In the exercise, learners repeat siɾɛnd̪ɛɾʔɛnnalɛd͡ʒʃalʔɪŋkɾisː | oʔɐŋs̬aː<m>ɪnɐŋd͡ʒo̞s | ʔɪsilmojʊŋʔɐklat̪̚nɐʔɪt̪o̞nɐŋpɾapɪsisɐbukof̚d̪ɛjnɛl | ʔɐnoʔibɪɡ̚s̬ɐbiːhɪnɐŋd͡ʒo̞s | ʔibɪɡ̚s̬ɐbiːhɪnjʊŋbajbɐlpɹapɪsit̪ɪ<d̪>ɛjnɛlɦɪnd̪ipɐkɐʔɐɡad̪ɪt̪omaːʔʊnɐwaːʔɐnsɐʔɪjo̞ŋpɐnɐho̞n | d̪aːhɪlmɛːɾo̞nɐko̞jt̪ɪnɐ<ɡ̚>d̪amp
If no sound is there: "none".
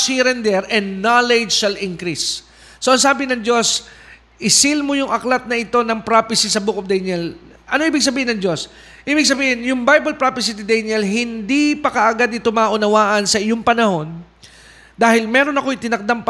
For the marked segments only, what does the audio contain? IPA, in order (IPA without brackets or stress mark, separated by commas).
b, d̪, k̚